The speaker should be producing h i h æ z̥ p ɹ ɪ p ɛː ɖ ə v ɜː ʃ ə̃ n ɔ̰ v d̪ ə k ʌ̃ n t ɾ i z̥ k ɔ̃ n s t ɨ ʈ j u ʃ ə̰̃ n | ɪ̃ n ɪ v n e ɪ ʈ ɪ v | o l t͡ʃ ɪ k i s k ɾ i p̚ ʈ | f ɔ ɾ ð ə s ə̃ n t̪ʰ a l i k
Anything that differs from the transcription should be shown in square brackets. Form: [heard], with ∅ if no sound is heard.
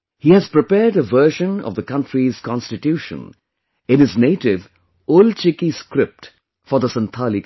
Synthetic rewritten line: h i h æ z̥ p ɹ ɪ p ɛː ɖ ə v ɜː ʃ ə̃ n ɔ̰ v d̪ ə k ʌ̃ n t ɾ i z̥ k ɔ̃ n s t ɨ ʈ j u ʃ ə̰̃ n | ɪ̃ n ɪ [z] n e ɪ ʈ ɪ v | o l t͡ʃ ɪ k i s k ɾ [ɪ] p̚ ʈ | f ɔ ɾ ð ə s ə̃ n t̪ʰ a l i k